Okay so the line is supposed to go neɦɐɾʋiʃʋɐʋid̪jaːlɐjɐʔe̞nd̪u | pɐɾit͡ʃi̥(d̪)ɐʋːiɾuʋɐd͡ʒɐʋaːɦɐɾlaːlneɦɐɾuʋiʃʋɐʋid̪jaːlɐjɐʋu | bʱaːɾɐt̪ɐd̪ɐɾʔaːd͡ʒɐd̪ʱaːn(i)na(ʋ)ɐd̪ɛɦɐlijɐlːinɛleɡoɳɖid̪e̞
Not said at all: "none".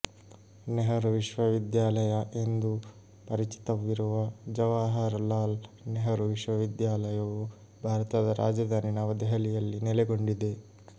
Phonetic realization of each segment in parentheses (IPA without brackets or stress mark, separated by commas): t̪, i, ʋ